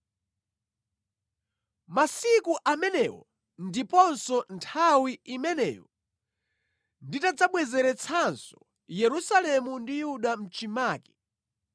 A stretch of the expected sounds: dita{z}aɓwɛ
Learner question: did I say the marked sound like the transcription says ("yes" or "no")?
no